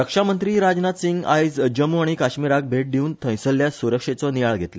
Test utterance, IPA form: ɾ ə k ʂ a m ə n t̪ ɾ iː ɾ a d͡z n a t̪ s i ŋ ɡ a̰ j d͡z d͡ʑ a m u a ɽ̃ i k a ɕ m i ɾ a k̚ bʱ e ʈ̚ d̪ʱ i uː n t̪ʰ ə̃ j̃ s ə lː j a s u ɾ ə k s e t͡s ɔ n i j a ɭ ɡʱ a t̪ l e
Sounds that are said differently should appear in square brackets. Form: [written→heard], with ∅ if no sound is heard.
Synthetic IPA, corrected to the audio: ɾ ə k ʂ a m ə n t̪ ɾ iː ɾ a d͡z n a t̪ s i ŋ ɡ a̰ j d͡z d͡ʑ [a→ə] m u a ɽ̃ i k a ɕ m i ɾ a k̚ bʱ e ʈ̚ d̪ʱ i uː n t̪ʰ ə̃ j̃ s ə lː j a s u ɾ ə k [s→ʂ] e t͡s ɔ n i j a ɭ ɡʱ [a→e] t̪ l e